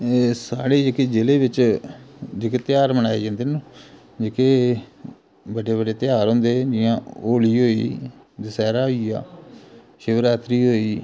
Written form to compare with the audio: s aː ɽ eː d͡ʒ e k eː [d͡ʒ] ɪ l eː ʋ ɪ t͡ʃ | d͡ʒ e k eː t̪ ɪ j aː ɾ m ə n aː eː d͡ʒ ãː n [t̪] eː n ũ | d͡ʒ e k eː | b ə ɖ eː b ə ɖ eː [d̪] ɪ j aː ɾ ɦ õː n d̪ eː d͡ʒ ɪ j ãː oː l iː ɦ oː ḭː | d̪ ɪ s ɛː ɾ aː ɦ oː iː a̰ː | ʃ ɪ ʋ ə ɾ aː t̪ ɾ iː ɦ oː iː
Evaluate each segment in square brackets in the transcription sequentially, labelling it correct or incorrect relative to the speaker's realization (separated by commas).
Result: correct, incorrect, incorrect